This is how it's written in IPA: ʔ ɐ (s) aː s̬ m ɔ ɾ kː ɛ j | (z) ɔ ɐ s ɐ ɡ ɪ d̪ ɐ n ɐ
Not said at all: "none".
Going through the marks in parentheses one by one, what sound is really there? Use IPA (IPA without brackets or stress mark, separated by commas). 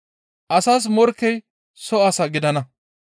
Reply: s, s